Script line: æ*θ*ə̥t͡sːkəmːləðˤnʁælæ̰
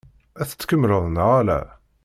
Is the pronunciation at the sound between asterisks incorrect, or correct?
correct